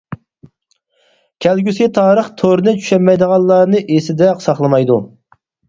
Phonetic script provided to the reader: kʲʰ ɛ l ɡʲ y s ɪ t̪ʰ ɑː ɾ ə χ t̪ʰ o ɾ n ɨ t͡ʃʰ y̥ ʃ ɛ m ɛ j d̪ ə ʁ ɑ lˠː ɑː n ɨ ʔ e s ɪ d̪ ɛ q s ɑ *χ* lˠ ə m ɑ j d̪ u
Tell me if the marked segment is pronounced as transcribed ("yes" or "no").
yes